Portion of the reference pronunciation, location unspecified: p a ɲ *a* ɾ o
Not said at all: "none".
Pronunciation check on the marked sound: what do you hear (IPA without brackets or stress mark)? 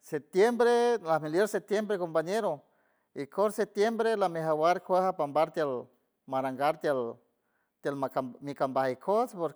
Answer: e